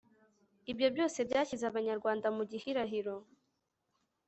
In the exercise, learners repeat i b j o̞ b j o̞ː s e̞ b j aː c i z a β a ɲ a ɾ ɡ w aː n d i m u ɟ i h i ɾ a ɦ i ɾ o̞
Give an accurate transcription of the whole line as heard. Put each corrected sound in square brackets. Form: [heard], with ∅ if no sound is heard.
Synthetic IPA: i b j o̞ b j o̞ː s e̞ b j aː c i z a β a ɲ a ɾ ɡ w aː n d [a] m u ɟ i h i ɾ a ɦ i ɾ o̞